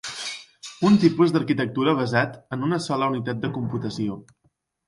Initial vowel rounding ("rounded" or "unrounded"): rounded